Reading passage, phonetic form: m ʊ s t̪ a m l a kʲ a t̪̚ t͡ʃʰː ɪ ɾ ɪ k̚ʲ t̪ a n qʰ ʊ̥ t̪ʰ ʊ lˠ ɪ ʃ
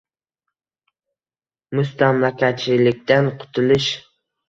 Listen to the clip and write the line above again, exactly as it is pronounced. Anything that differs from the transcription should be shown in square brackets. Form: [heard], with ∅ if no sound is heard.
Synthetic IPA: m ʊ s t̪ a m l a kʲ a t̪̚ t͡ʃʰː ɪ [l] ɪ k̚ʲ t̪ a n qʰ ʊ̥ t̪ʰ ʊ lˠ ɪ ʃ